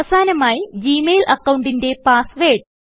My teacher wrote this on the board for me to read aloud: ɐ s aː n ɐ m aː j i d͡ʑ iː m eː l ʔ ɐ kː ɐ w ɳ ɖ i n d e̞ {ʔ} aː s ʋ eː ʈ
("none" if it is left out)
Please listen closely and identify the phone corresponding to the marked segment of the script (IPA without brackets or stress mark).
p